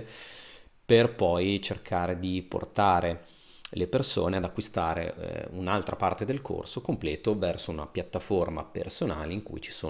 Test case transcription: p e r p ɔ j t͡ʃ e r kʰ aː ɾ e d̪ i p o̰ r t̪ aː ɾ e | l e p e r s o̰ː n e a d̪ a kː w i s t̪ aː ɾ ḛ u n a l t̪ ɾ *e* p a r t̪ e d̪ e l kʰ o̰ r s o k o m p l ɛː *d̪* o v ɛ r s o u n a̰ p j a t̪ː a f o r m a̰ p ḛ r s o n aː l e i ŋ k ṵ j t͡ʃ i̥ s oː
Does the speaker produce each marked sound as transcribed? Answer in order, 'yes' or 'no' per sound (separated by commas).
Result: no, no